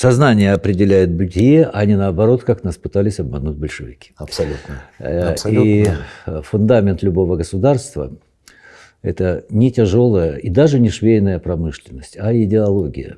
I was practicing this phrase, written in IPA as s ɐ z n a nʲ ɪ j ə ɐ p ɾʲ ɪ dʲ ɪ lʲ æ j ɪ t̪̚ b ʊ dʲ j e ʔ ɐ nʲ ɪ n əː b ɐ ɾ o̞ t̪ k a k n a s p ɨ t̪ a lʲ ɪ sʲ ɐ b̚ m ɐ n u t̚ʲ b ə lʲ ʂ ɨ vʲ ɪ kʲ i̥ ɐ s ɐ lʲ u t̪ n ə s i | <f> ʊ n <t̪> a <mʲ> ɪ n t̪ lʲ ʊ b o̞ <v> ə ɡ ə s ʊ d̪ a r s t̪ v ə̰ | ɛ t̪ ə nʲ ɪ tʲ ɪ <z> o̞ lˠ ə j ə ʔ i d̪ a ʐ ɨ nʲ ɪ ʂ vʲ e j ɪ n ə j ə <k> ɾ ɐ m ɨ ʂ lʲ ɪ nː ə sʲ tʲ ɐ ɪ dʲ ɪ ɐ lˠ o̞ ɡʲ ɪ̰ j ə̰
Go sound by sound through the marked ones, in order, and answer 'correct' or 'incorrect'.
correct, incorrect: d̪, correct, correct, incorrect: ʐ, incorrect: p

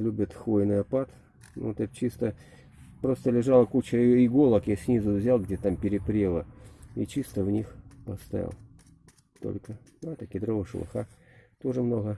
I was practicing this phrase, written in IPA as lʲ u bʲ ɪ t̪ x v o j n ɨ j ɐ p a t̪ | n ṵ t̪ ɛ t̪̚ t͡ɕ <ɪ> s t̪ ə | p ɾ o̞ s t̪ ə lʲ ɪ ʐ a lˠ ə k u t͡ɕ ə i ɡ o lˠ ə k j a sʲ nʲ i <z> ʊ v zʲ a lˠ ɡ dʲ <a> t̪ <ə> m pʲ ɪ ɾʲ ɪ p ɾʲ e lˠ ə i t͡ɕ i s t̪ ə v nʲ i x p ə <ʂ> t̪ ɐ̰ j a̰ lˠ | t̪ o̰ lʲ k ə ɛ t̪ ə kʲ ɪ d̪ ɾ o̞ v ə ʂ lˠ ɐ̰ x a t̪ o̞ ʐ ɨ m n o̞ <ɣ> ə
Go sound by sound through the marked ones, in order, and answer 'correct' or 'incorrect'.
incorrect: i, correct, incorrect: e, incorrect: a, incorrect: s, correct

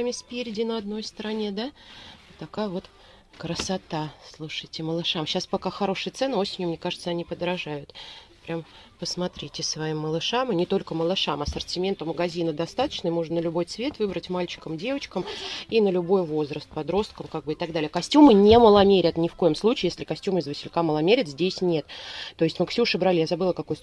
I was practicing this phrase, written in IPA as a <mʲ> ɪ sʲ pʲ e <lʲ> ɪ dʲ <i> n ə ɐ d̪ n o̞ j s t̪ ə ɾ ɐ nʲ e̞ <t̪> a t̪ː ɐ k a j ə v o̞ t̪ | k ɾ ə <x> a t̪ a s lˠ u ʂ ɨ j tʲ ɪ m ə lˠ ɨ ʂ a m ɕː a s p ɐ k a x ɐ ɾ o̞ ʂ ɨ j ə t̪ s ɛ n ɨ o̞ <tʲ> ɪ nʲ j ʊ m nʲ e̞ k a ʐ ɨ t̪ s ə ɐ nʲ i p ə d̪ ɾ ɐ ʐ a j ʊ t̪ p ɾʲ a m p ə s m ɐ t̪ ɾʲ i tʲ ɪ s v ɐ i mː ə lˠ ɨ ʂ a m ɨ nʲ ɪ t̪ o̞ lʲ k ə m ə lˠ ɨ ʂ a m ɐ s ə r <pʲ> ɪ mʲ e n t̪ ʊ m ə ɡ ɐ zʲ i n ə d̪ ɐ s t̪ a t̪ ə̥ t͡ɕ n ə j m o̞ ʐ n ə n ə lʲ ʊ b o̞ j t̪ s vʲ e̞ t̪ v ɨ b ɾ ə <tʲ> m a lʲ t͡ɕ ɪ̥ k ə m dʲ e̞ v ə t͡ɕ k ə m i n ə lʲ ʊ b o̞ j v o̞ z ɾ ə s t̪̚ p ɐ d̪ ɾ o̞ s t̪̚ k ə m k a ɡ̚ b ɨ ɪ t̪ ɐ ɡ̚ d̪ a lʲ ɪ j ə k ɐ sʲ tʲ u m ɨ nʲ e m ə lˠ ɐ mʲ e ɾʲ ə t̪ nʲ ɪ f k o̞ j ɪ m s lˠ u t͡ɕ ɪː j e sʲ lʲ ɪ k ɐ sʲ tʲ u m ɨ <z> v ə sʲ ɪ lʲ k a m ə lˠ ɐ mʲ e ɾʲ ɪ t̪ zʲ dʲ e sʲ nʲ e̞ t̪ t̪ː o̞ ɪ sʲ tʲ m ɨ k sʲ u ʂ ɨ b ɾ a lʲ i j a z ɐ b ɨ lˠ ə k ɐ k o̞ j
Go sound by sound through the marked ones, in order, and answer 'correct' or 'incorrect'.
correct, incorrect: ɾʲ, incorrect: ɪ, incorrect: d̪, incorrect: s, incorrect: sʲ, incorrect: tʲ, correct, correct

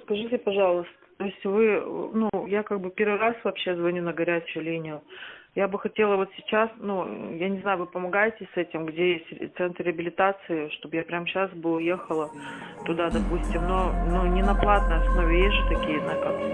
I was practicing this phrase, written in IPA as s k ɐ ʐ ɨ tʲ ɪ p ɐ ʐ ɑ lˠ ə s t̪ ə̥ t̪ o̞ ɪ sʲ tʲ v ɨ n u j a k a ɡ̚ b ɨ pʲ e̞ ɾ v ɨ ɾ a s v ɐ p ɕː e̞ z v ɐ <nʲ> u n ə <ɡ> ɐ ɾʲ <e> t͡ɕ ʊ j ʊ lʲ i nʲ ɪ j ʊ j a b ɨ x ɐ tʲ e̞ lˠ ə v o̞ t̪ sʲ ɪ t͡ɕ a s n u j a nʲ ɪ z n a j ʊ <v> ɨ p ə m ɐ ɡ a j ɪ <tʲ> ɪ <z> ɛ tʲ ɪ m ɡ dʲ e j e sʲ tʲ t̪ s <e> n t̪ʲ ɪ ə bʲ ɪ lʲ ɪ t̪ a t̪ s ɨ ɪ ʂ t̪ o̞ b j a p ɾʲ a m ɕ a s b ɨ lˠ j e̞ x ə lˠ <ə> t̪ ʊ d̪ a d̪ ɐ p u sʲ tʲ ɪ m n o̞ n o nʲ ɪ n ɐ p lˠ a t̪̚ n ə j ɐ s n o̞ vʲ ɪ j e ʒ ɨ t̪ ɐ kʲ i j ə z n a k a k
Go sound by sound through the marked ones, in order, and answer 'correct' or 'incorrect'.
correct, correct, incorrect: æ, correct, correct, incorrect: s, incorrect: ɛ, correct

